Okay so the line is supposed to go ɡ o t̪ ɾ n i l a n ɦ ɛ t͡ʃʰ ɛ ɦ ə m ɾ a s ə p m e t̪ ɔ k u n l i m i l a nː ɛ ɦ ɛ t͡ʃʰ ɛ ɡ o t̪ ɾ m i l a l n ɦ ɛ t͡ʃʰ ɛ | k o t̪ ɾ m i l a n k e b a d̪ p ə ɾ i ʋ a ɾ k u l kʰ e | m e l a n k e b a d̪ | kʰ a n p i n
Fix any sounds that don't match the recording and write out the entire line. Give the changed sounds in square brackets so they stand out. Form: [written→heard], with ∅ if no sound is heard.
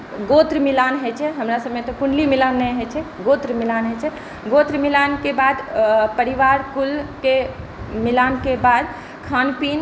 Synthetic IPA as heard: ɡ o t̪ ɾ [n→m] i l a n ɦ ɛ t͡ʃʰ ɛ ɦ ə m ɾ a s ə [p→b] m e t̪ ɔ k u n l i m i l a nː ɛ ɦ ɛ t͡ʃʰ ɛ ɡ o t̪ ɾ m i l a [l→∅] n ɦ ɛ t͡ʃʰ ɛ | [k→ɡ] o t̪ ɾ m i l a n k e b a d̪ p ə ɾ i ʋ a ɾ k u l [kʰ→k] e | m [e→i] l a n k e b a d̪ | kʰ a n p i n